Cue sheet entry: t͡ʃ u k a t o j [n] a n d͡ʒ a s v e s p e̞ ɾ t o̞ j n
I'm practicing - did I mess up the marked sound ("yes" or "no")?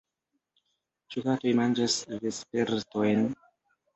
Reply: yes